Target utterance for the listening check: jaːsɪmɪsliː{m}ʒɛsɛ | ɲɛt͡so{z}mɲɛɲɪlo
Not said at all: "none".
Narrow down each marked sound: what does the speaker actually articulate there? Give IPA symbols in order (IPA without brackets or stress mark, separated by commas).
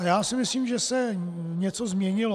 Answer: m, z